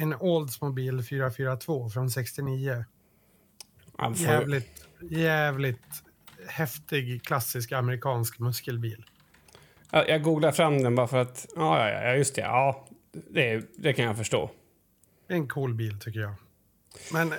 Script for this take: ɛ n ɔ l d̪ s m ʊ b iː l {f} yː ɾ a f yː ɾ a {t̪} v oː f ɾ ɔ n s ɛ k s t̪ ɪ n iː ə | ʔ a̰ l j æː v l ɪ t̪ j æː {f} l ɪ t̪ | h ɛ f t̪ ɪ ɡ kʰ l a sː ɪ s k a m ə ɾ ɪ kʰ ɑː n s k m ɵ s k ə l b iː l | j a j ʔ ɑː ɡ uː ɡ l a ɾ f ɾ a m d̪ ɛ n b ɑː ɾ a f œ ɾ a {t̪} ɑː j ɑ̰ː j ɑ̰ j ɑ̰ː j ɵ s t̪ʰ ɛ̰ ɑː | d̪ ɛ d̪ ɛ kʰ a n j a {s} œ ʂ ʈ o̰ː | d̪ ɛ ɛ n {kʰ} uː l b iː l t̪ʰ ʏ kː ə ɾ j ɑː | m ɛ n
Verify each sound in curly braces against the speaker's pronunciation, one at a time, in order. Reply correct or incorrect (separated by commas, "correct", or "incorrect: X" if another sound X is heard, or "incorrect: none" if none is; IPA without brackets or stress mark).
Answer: correct, incorrect: t̪ʰ, incorrect: v, correct, incorrect: f, correct